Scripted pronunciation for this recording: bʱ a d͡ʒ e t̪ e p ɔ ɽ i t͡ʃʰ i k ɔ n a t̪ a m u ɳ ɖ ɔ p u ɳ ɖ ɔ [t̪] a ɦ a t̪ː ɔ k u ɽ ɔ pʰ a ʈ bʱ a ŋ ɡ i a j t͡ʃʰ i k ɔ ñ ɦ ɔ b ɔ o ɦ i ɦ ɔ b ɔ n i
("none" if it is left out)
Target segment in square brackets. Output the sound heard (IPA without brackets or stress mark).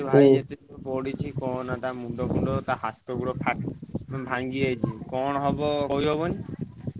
t̪